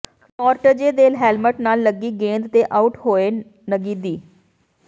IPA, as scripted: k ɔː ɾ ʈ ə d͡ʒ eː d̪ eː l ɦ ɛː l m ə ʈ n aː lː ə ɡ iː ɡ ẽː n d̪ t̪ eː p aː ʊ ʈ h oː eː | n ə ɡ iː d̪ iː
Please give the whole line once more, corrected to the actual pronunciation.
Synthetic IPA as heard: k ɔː ɾ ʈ ə d͡ʒ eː d̪ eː l ɦ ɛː l m ə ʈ n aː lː ə ɡ iː ɡ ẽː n d̪ t̪ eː ʔ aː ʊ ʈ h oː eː | n ə ɡ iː d̪ iː